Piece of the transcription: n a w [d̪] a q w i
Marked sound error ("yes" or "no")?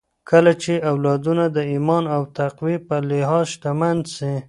yes